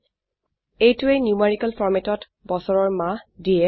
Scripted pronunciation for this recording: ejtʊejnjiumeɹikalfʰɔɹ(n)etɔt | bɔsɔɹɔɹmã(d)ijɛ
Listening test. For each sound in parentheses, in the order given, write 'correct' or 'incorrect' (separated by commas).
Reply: incorrect, correct